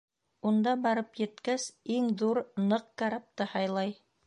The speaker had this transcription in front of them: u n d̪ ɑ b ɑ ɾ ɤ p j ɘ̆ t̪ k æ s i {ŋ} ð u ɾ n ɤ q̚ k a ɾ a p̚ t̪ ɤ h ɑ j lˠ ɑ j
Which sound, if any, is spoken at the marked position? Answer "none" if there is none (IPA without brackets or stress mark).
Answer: ŋ